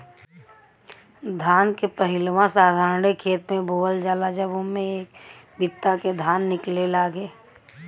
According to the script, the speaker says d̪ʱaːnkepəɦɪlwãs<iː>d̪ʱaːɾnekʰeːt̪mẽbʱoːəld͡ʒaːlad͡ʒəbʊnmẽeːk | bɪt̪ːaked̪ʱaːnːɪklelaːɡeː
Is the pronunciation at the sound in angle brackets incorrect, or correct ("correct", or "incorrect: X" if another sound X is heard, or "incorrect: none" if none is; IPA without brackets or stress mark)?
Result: incorrect: aː